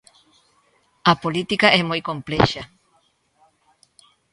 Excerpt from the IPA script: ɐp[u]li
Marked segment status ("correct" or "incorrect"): incorrect